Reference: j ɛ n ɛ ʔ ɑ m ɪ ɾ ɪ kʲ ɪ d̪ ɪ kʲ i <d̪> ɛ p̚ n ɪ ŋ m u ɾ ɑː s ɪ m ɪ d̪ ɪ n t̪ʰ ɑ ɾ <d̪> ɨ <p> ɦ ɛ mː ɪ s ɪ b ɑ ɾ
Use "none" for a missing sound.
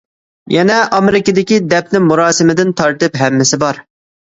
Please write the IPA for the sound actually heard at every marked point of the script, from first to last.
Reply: d̪, t̪, p

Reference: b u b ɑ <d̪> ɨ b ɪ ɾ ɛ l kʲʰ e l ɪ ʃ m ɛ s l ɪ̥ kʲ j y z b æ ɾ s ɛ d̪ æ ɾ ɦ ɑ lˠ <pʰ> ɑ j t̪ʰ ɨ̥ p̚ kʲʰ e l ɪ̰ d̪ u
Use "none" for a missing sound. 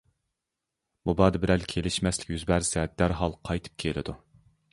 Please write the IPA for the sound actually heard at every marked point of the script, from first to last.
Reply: d̪, qʰ

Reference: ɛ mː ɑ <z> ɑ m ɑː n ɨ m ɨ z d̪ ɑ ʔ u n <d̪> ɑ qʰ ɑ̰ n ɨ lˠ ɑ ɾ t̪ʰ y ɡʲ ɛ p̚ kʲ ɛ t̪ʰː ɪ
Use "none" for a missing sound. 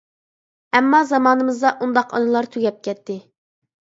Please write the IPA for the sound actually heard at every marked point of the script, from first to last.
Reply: z, d̪

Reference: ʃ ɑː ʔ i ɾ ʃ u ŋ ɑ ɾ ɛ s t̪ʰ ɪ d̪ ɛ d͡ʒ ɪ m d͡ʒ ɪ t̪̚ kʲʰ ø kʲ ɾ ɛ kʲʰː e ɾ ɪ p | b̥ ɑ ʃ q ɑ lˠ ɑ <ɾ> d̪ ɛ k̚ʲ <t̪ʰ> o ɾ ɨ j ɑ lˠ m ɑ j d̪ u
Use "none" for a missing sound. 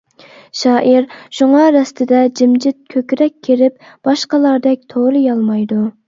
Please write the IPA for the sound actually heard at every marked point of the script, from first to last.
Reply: ɾ, t̪ʰ

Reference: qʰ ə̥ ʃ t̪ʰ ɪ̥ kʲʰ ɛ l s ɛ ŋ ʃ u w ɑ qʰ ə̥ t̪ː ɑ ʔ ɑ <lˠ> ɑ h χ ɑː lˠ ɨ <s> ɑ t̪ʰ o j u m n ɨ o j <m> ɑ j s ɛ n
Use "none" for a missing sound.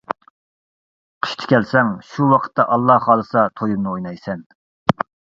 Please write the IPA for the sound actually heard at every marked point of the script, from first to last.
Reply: lˠː, s, n

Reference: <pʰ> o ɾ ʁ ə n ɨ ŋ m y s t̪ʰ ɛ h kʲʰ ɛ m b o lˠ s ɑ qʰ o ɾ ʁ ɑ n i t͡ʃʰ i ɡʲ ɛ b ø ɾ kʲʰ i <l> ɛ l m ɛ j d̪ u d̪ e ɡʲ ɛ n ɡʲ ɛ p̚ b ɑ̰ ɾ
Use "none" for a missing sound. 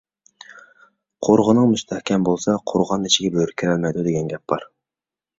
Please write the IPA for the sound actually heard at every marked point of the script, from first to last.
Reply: qʰ, ɾ

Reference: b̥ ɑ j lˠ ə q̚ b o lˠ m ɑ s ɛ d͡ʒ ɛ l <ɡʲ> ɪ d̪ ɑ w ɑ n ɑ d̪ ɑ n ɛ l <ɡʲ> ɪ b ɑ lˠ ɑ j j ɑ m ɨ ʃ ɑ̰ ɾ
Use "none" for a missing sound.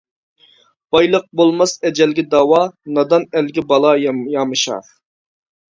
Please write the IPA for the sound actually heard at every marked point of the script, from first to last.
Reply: ɡʲ, ɡʲ

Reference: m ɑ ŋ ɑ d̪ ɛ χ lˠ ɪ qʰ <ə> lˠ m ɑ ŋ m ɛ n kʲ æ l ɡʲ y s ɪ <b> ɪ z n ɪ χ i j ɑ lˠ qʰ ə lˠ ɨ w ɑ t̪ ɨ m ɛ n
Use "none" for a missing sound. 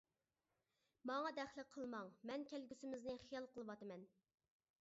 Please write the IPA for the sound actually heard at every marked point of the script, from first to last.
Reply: ə, m

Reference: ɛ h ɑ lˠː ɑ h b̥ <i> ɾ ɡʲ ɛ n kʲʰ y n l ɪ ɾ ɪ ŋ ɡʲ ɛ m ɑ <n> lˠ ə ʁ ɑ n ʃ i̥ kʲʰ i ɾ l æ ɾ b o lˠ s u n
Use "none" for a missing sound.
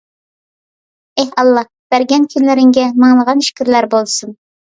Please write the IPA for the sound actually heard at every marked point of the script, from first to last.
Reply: æ, ŋ

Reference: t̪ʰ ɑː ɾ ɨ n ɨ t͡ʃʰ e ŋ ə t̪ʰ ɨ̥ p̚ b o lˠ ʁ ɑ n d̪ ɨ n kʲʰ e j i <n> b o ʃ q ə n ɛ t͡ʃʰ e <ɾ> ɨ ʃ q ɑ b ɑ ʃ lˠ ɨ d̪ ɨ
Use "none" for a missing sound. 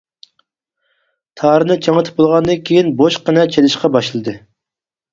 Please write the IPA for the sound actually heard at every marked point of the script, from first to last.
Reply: n, l

